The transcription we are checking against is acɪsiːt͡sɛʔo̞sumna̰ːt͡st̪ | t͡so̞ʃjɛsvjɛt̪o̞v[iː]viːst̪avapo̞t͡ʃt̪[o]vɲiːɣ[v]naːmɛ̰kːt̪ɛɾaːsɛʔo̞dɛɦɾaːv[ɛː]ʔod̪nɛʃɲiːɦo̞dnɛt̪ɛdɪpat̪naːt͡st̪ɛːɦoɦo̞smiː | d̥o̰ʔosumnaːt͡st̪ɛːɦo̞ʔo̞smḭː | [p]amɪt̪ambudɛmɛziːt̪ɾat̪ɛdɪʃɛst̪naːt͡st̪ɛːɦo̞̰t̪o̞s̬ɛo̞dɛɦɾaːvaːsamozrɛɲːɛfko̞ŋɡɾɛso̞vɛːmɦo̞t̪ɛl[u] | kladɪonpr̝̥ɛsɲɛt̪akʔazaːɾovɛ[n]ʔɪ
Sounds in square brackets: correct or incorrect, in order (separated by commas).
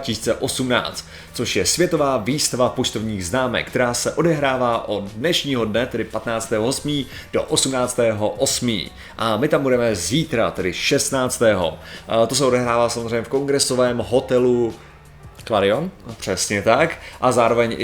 incorrect, correct, incorrect, incorrect, incorrect, correct, incorrect